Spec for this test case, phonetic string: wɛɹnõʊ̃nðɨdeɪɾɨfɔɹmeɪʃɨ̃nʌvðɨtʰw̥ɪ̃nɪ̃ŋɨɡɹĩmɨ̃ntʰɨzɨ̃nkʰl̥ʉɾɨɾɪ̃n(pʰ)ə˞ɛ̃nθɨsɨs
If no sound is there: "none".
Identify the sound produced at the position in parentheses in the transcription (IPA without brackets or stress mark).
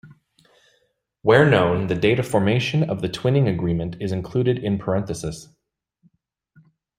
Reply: pʰ